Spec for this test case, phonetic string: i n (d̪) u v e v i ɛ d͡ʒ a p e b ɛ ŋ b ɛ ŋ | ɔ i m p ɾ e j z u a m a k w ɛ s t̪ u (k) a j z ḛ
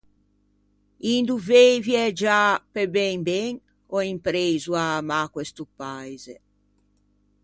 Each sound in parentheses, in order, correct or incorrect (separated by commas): correct, incorrect